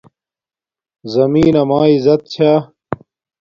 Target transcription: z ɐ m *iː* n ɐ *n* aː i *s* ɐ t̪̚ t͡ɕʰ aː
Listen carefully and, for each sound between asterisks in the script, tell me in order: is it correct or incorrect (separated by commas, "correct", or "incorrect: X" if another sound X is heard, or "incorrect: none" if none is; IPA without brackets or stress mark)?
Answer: correct, incorrect: m, incorrect: z